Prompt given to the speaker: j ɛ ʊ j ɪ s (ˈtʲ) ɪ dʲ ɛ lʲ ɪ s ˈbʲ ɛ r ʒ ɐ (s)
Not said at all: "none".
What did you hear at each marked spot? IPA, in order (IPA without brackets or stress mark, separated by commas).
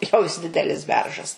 dʲ, s